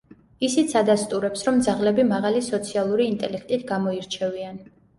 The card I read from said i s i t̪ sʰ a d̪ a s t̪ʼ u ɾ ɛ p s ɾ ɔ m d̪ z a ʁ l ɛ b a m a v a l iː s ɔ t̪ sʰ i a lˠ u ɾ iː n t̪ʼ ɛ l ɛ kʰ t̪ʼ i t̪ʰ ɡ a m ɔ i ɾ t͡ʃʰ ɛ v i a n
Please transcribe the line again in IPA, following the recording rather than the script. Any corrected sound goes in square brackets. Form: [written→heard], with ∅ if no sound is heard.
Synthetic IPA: i s i t̪ sʰ a d̪ a s t̪ʼ u ɾ ɛ p s ɾ ɔ m d̪ z a ʁ l ɛ b [a→i] m a [v→ʁ] a l [iː→i] s ɔ t̪ sʰ i a lˠ u ɾ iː n t̪ʼ ɛ l ɛ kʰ t̪ʼ i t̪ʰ ɡ a m ɔ i ɾ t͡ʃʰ ɛ v i a n